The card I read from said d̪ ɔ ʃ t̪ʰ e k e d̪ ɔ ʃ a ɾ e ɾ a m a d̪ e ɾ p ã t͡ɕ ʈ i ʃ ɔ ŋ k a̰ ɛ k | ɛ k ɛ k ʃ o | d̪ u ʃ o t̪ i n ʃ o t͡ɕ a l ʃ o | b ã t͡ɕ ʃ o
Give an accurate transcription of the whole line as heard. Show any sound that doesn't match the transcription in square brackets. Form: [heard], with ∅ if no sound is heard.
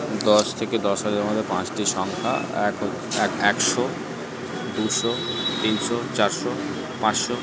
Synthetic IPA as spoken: d̪ ɔ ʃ t̪ʰ e k e d̪ ɔ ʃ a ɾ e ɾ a m a d̪ e ɾ p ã t͡ɕ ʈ i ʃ ɔ ŋ [kʰ] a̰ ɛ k | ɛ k ɛ k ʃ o | d̪ u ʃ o t̪ i n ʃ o t͡ɕ a [ɾ] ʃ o | [p] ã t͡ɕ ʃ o